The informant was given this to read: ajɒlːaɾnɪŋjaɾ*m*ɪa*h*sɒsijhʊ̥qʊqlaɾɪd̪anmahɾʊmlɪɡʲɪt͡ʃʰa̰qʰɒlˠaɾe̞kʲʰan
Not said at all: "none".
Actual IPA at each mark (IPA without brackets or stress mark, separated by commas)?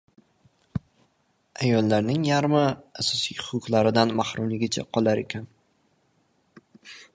m, none